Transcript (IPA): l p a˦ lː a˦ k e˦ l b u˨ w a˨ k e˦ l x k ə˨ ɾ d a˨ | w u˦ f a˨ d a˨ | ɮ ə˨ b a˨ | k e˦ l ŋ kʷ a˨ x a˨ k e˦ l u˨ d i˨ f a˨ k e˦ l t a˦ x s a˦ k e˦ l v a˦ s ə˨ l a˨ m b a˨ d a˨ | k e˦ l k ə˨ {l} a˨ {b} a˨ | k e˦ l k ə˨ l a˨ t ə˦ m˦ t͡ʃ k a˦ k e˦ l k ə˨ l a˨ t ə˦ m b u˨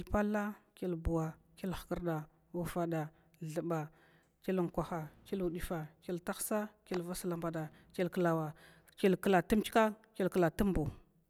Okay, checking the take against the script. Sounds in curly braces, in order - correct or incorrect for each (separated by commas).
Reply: correct, incorrect